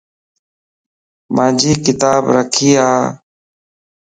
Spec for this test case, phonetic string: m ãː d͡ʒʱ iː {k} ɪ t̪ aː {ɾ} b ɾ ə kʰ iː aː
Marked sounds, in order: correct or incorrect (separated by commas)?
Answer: correct, incorrect